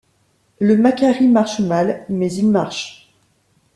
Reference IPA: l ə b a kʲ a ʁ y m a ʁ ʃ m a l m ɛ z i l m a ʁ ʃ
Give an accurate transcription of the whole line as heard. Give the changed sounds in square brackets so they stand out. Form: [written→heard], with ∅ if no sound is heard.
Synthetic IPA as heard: l ə [b→m] a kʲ a ʁ [y→i] m a ʁ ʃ m a l m ɛ z i l m a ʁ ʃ